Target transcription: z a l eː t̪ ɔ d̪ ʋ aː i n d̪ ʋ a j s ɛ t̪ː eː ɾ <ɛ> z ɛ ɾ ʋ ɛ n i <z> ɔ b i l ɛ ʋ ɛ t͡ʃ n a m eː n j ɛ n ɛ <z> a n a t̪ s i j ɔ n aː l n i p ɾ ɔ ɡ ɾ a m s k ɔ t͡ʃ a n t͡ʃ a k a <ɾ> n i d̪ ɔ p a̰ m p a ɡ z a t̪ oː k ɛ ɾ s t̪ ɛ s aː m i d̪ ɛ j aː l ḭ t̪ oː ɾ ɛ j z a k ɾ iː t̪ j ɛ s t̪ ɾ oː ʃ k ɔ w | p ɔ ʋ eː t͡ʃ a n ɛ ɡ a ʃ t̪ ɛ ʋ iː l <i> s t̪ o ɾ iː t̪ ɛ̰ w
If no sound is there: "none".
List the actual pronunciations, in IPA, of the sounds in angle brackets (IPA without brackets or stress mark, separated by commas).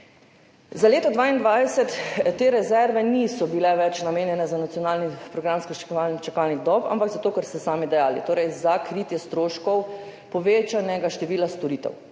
ɛ, s, z, l, a